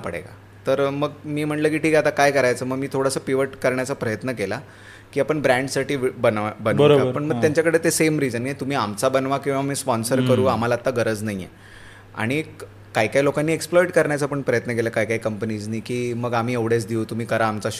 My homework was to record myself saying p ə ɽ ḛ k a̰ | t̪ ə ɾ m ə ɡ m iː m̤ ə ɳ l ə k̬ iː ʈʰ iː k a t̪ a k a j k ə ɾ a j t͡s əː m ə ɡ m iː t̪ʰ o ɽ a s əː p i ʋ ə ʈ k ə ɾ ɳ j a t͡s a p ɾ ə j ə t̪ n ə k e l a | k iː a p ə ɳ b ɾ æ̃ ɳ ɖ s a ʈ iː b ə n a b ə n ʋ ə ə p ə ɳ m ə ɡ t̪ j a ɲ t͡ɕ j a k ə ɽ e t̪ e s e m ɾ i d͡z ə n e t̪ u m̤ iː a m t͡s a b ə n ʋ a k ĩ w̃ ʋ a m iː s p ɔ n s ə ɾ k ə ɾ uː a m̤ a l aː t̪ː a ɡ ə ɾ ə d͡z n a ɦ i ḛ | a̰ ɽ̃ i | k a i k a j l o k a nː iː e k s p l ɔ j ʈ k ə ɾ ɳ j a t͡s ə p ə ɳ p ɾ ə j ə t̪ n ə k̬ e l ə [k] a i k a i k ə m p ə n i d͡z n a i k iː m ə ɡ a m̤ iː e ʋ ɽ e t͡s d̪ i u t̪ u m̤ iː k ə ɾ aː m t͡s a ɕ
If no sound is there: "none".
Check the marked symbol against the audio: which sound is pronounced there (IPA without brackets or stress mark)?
k